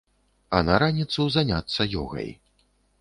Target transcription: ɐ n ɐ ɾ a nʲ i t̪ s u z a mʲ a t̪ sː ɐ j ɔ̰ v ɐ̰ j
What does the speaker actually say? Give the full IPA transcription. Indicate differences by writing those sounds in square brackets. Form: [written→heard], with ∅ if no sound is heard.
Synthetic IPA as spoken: ɐ n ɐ ɾ a nʲ i t̪ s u z a [mʲ→nʲ] a t̪ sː ɐ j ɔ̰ [v→ɣ] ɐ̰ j